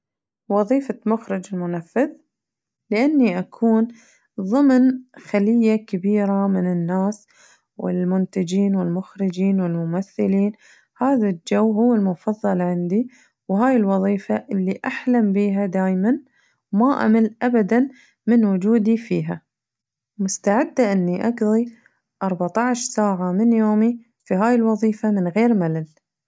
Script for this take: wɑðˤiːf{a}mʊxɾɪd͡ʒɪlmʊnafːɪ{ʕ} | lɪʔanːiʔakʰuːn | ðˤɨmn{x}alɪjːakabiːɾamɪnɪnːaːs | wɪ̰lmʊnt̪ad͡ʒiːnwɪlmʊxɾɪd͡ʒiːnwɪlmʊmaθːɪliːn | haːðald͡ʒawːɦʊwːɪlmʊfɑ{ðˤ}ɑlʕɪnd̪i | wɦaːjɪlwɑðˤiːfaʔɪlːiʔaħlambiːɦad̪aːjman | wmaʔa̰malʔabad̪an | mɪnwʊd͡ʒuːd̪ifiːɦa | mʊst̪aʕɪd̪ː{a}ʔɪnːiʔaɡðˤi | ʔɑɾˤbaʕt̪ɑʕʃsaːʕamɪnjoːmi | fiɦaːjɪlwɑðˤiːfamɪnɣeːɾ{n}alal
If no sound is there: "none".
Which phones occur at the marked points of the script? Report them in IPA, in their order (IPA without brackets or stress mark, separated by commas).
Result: a, ð, x, ðˤː, a, m